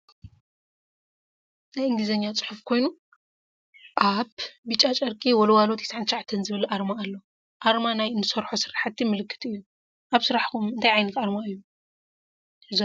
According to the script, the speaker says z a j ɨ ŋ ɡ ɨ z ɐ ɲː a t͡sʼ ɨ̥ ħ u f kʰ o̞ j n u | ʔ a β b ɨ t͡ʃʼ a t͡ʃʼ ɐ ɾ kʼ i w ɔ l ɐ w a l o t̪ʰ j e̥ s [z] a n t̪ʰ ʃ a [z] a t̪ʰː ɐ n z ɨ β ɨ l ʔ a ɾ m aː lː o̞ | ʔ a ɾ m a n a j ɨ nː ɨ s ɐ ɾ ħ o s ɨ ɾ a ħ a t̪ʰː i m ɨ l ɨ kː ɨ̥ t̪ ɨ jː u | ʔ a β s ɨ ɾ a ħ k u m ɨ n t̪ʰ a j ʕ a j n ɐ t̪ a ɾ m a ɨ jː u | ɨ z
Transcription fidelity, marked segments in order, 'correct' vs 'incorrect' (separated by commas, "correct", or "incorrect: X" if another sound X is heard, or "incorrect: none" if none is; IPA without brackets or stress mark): incorrect: ʕ, incorrect: ʕ